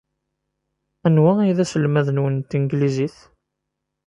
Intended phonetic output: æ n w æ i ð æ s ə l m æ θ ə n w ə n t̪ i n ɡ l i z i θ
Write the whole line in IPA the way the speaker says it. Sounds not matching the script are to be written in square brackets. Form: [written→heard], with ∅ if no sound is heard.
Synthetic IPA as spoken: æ n w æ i ð æ s ə l m æ [θ→ð] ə n w ə n t̪ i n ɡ l i z i θ